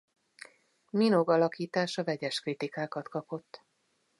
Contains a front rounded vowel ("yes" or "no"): no